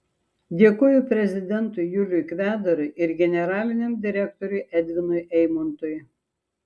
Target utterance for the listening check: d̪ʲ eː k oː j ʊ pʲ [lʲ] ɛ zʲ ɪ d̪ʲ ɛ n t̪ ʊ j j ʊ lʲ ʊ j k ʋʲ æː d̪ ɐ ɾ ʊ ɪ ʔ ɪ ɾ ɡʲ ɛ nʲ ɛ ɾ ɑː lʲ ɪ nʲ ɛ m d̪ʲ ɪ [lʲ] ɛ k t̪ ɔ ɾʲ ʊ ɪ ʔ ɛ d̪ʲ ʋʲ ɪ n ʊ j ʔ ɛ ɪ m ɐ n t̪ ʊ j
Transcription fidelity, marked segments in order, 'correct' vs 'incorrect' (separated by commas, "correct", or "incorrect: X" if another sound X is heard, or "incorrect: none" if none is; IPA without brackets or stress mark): incorrect: ɾʲ, incorrect: ɾʲ